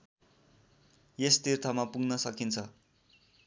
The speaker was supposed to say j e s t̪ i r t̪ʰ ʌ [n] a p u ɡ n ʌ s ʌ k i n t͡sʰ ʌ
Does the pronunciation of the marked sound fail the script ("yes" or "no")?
yes